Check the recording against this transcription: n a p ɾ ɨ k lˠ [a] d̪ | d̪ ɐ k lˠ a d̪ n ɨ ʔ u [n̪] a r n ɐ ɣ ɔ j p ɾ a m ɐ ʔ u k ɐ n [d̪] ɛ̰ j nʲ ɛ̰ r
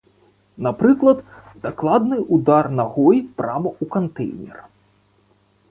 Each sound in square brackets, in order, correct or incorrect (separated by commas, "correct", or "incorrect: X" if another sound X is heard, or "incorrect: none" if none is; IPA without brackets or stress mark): incorrect: ɐ, incorrect: d̪, incorrect: t̪